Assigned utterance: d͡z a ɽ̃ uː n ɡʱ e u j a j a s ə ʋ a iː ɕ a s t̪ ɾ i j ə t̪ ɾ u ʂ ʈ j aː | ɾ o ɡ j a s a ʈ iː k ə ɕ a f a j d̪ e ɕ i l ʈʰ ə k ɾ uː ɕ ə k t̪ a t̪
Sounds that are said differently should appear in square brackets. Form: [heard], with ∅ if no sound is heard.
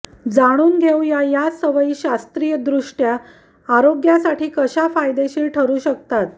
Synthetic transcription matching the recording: d͡z a ɽ̃ uː n ɡʱ e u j a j a s ə ʋ [ə] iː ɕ a s t̪ ɾ i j ə [d̪] ɾ u ʂ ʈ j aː | ɾ o ɡ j a s a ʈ iː k ə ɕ a f a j d̪ e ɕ [iː] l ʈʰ ə [∅] ɾ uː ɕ ə k t̪ a t̪